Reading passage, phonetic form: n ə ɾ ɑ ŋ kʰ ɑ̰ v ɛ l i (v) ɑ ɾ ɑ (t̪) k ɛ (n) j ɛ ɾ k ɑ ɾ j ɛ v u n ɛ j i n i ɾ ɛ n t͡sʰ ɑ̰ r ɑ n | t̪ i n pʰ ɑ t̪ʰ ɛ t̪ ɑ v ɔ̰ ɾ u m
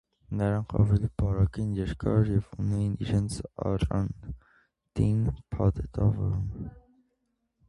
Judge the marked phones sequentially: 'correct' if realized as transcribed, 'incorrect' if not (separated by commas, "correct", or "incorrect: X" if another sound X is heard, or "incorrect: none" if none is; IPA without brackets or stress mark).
incorrect: b, incorrect: none, correct